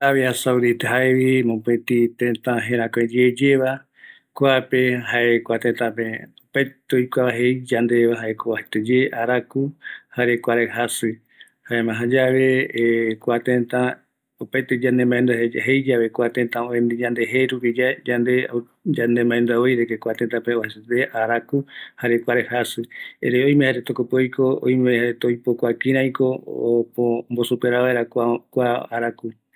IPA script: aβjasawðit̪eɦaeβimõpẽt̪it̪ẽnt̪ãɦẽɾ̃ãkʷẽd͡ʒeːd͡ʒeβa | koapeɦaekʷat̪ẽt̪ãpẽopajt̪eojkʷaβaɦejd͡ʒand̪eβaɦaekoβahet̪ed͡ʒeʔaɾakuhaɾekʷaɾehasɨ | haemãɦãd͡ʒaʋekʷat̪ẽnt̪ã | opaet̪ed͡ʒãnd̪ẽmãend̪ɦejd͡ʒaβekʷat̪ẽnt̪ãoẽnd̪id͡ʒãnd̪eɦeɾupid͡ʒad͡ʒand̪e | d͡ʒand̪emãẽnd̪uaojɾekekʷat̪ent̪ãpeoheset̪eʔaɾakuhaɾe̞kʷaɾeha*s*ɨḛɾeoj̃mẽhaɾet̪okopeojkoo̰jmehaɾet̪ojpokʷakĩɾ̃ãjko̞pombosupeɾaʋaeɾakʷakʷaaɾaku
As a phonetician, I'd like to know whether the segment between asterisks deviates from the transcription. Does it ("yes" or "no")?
no